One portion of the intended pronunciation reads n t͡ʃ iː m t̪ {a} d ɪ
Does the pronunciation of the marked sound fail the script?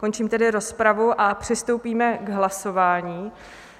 yes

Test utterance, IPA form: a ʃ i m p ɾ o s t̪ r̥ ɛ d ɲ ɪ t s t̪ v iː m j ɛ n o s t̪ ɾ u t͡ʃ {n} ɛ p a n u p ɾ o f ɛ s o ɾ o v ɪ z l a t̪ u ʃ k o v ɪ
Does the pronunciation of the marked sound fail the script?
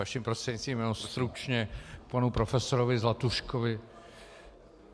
yes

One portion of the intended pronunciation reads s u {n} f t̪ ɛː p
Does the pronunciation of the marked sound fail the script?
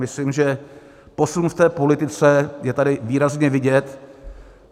no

